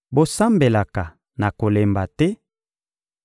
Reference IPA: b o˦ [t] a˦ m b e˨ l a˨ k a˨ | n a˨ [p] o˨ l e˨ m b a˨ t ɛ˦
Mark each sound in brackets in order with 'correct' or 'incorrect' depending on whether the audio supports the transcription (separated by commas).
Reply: incorrect, incorrect